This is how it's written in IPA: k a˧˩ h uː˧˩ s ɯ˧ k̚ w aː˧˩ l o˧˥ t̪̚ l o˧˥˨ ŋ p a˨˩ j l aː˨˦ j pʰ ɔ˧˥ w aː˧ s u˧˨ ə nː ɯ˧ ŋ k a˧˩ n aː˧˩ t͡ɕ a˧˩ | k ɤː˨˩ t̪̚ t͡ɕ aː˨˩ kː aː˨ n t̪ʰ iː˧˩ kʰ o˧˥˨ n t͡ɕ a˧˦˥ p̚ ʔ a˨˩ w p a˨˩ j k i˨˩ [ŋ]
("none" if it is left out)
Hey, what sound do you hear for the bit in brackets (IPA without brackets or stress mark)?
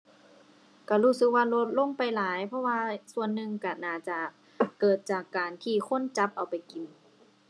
n